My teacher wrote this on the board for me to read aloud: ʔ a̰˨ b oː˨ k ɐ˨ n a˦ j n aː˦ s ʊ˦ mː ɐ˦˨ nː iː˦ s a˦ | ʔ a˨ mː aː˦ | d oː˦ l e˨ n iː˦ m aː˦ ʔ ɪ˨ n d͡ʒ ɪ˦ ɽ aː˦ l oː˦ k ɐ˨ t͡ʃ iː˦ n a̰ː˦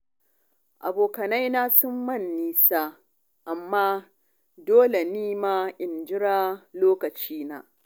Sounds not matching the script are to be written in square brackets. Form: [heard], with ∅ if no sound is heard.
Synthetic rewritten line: ʔ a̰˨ b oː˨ k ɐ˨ n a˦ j n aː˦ s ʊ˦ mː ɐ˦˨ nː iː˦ s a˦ | ʔ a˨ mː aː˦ | d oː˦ l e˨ n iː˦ m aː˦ ʔ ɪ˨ n d͡ʒ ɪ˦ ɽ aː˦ l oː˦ k ɐ˨ t͡ʃ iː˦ n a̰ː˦